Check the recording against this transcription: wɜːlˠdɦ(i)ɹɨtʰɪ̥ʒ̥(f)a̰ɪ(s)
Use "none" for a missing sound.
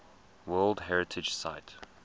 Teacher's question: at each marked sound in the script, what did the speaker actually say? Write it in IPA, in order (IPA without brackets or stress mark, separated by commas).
ɛ, s, t